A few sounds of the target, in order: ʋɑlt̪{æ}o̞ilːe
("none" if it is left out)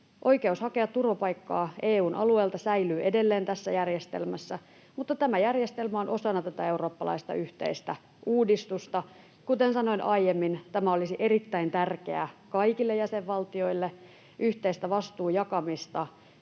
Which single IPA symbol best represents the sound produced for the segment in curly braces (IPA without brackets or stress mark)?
i